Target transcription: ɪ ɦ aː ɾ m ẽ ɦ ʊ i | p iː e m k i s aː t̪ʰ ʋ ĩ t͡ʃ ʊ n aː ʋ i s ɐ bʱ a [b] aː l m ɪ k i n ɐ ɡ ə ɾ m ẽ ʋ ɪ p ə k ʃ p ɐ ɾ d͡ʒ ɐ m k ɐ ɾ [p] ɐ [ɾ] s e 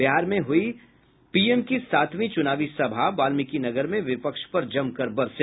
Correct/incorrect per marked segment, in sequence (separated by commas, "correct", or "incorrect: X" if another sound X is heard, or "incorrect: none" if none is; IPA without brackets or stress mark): correct, incorrect: b, correct